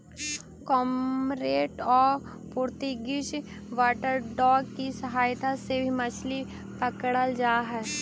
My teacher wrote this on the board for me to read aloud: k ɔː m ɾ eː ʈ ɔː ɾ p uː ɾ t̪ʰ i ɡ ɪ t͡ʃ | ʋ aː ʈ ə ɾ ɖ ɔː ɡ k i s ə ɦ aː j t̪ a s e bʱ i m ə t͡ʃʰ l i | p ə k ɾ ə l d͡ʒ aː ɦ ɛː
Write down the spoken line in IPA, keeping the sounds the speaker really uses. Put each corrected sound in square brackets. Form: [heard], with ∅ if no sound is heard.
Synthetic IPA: k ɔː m ɾ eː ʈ ɔː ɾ p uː ɾ [t̪] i ɡ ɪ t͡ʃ | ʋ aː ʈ ə ɾ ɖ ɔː ɡ k i s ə ɦ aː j t̪ a s e bʱ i m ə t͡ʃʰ l i | p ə k [ɽ] ə l d͡ʒ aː ɦ ɛː